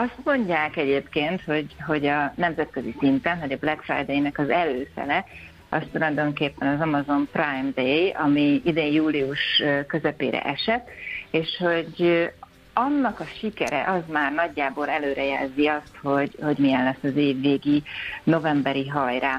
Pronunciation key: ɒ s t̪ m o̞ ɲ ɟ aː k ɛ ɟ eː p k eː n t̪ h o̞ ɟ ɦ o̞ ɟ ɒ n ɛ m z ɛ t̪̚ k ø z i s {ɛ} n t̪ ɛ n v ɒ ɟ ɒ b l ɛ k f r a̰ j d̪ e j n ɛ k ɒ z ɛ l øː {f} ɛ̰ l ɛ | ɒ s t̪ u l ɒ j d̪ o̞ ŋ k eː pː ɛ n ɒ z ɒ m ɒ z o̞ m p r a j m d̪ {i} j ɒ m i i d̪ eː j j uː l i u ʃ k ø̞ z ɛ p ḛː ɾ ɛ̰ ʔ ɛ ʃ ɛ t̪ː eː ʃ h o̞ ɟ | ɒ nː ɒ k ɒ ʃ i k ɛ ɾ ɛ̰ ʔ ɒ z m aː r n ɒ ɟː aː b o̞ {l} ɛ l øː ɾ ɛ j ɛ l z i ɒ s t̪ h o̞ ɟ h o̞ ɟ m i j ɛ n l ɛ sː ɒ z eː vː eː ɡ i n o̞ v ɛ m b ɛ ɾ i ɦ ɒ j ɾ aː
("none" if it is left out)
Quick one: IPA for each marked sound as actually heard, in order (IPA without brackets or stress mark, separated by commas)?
i, f, e, l